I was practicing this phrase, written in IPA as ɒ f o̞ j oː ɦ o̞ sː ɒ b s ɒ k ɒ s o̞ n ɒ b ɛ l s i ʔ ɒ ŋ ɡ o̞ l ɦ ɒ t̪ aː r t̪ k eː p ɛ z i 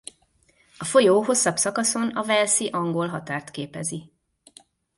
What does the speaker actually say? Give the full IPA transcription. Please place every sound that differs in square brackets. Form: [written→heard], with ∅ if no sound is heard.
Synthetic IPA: ɒ f o̞ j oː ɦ o̞ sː ɒ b s ɒ k ɒ s o̞ n ɒ [b→v] ɛ l s i ʔ ɒ ŋ ɡ o̞ l ɦ ɒ t̪ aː r t̪ k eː p ɛ z i